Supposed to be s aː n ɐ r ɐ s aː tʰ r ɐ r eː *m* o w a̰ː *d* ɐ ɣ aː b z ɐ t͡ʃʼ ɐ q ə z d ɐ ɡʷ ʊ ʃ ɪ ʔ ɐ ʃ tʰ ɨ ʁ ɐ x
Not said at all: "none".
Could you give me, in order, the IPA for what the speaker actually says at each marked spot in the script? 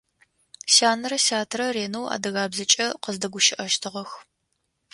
n, d

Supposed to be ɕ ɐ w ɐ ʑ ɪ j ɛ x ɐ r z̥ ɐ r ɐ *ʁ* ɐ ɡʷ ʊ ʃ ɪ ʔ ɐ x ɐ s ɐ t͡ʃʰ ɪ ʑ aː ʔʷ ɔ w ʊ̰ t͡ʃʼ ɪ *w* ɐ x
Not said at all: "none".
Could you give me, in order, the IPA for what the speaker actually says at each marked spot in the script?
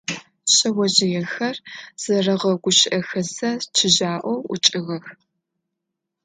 ʁ, ɣ

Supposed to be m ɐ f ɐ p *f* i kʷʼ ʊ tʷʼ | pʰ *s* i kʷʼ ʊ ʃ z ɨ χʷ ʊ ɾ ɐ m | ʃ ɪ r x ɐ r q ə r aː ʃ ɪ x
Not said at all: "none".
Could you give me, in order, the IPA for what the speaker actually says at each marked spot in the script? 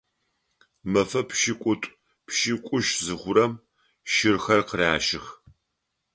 ʃ, ʃ

